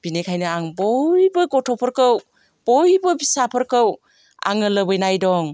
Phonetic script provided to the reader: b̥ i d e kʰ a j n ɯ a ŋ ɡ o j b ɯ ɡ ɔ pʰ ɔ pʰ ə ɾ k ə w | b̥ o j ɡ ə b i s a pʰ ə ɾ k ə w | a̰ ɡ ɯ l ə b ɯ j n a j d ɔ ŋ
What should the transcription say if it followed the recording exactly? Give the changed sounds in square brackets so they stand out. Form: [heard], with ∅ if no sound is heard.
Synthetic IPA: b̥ i [n] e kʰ a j n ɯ a ŋ [b] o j b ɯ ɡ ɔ [tʰ] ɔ pʰ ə ɾ k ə w | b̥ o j [b] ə b i s a pʰ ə ɾ k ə w | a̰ [ŋ] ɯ l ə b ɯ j n a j d ɔ ŋ